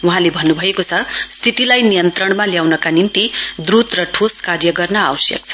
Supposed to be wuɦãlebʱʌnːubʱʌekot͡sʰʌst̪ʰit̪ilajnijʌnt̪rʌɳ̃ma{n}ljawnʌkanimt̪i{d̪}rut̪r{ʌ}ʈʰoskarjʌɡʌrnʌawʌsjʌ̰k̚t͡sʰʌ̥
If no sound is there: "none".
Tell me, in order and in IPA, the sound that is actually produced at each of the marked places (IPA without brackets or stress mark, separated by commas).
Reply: none, d̪, ʌ